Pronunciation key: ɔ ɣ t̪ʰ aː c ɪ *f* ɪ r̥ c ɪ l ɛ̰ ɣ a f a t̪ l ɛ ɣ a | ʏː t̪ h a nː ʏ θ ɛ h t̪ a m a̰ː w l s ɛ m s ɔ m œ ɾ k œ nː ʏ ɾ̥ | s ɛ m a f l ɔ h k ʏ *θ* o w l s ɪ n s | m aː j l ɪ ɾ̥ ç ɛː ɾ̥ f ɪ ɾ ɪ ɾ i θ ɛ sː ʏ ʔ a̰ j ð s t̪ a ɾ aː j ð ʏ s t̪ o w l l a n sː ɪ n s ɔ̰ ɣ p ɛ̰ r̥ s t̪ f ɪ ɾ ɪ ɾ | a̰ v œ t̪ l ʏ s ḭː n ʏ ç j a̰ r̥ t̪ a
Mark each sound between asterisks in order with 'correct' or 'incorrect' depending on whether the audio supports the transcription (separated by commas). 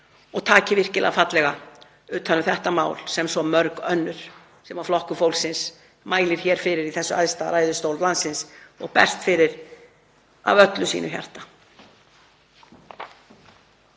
incorrect, incorrect